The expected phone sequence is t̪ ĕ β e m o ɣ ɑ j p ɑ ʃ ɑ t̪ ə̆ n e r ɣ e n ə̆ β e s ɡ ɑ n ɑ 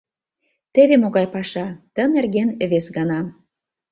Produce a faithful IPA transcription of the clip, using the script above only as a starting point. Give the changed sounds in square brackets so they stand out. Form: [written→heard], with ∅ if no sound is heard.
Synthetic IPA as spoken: t̪ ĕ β e m o ɣ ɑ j p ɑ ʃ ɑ t̪ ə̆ n e r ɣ e n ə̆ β e s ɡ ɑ n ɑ